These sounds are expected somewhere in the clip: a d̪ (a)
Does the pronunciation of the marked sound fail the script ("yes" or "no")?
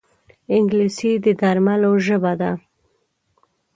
no